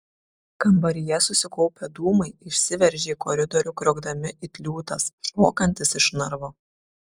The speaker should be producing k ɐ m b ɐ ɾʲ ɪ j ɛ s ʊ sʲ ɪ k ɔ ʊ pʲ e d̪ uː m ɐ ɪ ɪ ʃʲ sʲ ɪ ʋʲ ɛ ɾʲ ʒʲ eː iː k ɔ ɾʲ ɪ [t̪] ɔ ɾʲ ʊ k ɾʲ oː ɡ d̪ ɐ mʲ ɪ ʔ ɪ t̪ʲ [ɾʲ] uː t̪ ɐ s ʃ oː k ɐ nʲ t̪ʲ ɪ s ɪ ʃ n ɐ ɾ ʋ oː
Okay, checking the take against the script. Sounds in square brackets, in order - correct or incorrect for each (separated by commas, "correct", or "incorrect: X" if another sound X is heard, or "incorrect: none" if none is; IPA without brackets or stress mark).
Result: incorrect: d̪, incorrect: lʲ